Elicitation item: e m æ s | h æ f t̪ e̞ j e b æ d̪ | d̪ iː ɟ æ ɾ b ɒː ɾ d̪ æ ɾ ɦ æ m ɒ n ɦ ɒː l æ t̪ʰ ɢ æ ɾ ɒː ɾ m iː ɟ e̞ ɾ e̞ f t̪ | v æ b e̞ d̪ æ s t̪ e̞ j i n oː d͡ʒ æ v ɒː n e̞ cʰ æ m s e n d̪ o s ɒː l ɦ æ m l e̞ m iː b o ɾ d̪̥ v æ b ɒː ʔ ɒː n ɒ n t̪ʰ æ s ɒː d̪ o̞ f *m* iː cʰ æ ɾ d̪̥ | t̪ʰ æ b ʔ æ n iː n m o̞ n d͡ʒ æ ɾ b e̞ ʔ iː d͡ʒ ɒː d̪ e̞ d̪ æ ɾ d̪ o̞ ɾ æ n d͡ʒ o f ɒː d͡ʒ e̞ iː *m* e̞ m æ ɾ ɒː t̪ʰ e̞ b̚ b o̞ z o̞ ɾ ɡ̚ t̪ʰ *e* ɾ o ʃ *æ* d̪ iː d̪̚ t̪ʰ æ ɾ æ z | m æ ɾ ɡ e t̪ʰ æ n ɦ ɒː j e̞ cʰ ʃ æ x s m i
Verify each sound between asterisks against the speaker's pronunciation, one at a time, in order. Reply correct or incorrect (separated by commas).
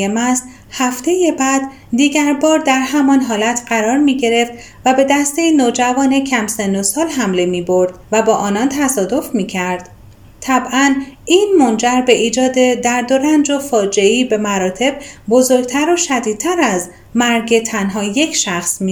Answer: correct, incorrect, incorrect, correct